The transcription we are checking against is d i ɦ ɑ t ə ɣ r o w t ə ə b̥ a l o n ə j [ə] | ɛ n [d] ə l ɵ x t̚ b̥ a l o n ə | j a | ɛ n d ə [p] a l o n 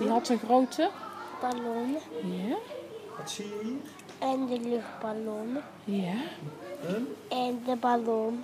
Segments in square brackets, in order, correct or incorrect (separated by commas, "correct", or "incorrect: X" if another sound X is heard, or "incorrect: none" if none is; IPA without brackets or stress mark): incorrect: a, correct, incorrect: b